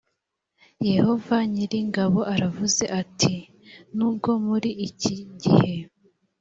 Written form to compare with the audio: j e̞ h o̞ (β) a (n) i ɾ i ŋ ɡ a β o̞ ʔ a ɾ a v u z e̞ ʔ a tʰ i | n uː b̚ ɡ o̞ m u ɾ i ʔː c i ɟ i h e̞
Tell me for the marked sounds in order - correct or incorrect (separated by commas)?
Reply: incorrect, incorrect